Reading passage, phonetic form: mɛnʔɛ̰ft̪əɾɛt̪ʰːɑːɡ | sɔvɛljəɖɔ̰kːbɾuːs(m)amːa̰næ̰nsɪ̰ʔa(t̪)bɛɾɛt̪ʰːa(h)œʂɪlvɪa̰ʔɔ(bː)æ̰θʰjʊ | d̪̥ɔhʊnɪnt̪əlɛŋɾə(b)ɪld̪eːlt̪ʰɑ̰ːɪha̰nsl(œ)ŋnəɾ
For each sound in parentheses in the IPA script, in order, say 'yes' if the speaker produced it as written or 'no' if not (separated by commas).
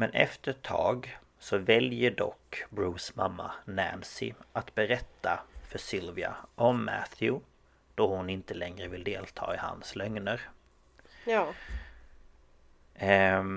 yes, yes, no, no, no, yes